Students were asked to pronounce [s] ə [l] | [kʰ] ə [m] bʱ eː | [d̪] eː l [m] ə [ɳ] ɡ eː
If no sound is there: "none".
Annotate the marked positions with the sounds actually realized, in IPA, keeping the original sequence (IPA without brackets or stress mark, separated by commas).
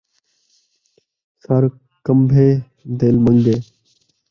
s, ɾ, k, m, d̪, m, ŋ